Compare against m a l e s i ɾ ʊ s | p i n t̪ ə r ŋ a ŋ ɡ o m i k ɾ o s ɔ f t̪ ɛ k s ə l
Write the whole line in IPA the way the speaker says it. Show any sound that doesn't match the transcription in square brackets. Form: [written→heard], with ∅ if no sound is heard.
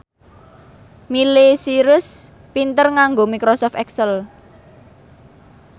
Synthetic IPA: m [a→i] l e s i ɾ ʊ s | p i n t̪ ə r ŋ a ŋ ɡ o m i k ɾ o s ɔ f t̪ ɛ k s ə l